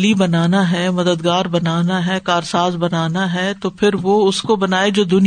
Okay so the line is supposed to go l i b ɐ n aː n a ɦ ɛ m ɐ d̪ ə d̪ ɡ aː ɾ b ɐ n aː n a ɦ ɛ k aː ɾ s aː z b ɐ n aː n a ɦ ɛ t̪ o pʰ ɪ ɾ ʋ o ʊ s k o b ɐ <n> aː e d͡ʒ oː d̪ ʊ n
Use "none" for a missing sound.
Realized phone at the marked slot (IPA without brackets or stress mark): n